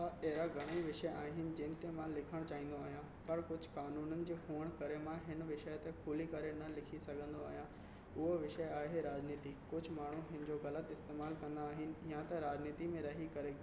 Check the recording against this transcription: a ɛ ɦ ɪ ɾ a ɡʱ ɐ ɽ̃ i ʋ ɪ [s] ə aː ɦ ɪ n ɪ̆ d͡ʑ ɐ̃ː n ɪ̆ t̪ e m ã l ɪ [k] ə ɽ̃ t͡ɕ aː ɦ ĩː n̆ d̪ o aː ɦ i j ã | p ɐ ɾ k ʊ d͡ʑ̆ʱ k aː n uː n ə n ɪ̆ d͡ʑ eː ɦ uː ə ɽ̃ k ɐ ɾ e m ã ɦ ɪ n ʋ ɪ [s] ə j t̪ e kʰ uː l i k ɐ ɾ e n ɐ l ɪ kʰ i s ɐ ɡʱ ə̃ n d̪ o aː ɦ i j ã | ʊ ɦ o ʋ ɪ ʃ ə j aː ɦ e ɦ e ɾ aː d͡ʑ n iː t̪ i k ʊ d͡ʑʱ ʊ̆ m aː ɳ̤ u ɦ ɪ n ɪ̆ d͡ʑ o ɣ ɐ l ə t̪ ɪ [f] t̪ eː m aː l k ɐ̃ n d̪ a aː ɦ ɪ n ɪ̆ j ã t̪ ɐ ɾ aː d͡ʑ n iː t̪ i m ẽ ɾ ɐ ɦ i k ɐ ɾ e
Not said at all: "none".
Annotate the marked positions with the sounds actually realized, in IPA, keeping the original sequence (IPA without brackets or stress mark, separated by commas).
ʃ, kʰ, ʃ, s